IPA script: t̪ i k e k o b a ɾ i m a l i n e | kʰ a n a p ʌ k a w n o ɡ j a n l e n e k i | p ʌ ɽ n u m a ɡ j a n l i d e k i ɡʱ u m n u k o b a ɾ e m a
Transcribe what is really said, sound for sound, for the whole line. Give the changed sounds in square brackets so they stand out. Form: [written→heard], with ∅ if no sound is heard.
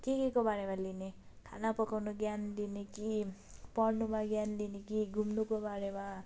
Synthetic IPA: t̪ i k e k o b a ɾ [i→e] m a l i n e | kʰ a n a p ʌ k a w n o ɡ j a n l [e→i] n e k i | p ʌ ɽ n u m a ɡ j a n l i [d→n] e k i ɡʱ u m n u k o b a ɾ e m a

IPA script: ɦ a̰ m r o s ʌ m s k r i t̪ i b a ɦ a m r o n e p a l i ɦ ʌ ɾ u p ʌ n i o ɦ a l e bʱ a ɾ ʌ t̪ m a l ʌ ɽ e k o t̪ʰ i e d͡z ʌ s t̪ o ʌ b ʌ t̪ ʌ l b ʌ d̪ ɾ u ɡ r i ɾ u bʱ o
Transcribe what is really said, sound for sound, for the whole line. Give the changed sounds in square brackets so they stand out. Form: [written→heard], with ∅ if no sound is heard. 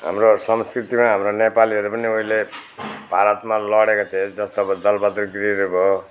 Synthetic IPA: ɦ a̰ m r o s ʌ m s k r i t̪ i [b→m] a ɦ a m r o n e p a l i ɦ ʌ ɾ u p ʌ n i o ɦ [a→i] l e bʱ a ɾ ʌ t̪ m a l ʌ ɽ e k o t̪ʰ i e d͡z ʌ s t̪ o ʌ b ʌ [t̪→d̪] ʌ l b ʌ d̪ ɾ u ɡ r i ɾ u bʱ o

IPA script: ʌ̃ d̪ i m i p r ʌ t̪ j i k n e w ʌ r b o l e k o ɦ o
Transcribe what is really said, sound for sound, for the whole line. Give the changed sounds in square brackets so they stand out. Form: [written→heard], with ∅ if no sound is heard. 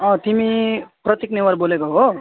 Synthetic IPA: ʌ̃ [d̪→t̪] i m i p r ʌ t̪ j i k n e w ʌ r b o l e k o ɦ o

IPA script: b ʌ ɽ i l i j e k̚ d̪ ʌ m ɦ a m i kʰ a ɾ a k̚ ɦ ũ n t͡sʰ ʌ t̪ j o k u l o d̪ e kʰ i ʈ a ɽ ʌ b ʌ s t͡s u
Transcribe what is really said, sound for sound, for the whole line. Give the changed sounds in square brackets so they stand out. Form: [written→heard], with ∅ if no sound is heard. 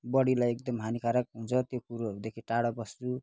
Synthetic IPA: b ʌ ɽ i l [i→a] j e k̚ d̪ ʌ m ɦ a [m→n] i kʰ a ɾ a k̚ ɦ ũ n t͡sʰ ʌ t̪ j o k u [l→ɾ] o d̪ e kʰ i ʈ a ɽ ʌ b ʌ s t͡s u

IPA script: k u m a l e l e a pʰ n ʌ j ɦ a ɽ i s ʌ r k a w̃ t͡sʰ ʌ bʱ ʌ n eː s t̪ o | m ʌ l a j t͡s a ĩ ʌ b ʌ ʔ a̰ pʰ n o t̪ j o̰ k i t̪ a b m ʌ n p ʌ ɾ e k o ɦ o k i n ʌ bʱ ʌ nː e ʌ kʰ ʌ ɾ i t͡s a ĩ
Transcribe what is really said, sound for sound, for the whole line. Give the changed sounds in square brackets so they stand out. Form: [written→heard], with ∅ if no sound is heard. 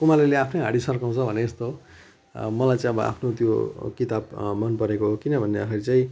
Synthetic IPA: k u m a l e l e a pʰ n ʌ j ɦ a ɽ i s ʌ r k a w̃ t͡sʰ ʌ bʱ ʌ n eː s t̪ o | m ʌ l a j t͡s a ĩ ʌ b ʌ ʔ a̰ pʰ n o t̪ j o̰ k i t̪ a b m ʌ n p ʌ ɾ e k o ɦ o k i n ʌ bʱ ʌ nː e ʌ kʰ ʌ ɾ i t͡s a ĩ

